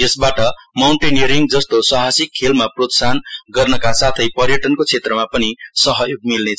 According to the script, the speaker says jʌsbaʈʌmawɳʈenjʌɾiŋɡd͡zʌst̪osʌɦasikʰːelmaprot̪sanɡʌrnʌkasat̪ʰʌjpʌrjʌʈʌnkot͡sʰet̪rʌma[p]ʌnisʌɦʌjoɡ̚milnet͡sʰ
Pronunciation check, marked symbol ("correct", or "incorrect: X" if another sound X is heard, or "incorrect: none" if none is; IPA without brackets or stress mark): correct